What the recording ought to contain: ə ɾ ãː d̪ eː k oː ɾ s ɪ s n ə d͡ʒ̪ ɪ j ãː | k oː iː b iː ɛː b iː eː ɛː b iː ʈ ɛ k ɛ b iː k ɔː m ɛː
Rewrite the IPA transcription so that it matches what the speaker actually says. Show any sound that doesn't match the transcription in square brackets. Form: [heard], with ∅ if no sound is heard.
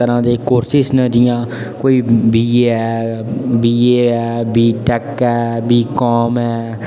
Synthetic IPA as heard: ə ɾ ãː d̪ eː k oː ɾ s ɪ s n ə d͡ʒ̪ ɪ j ãː | k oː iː b iː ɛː b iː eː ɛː b iː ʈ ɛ k [ɛː] b iː k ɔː m ɛː